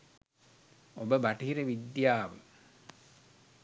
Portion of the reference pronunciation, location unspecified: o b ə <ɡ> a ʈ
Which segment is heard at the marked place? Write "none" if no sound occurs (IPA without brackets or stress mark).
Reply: b